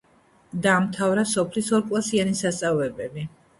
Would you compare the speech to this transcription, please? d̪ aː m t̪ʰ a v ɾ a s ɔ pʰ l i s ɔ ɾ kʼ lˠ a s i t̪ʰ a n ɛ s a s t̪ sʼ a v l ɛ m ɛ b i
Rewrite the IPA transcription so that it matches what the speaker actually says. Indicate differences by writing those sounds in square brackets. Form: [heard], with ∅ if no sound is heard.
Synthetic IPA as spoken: d̪ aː m t̪ʰ a v ɾ a s ɔ pʰ l i s ɔ ɾ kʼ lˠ a s i [∅] a n [i] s a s t̪ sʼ a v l ɛ [b] ɛ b i